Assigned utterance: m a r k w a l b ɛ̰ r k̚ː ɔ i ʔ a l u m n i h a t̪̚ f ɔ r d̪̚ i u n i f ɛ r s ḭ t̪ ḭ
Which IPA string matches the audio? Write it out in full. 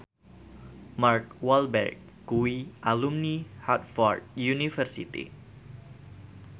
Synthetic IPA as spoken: m a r k w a l b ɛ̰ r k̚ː u i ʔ a l u m n i h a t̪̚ f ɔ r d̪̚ j u n i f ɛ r s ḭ t̪ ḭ